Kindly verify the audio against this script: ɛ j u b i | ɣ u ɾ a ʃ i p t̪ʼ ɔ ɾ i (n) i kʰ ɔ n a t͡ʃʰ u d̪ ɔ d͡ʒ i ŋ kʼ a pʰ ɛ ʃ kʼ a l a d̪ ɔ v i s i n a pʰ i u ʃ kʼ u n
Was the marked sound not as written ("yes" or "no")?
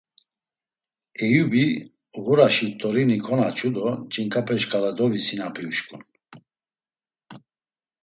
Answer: no